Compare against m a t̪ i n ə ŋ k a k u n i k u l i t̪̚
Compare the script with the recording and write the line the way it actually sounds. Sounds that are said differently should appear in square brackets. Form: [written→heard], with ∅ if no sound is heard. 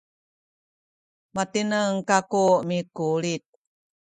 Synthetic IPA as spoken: m a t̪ i n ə ŋ k a k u [n→m] i k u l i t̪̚